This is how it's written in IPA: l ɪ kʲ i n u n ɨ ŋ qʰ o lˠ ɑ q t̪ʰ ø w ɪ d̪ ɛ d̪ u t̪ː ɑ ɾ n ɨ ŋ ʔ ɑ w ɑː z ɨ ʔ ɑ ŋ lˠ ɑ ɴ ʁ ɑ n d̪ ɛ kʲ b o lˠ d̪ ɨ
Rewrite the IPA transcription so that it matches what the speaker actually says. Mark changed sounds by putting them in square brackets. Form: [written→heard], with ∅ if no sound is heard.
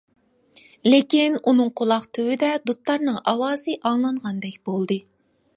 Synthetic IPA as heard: l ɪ kʲ i n u n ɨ ŋ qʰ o lˠ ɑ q t̪ʰ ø w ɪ d̪ ɛ d̪ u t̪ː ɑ ɾ n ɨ ŋ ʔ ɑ w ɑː z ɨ ʔ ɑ ŋ lˠ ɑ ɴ ʁ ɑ n d̪ ɛ kʲ b o lˠ d̪ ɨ